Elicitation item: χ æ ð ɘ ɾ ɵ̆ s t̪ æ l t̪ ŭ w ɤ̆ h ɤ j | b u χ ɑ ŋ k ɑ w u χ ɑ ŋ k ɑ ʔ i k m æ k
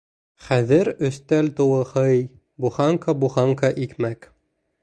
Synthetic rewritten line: χ æ ð ɘ ɾ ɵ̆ s t̪ æ l t̪ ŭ w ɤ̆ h ɤ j | b u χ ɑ ŋ k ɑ b u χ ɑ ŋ k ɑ ʔ i k m æ k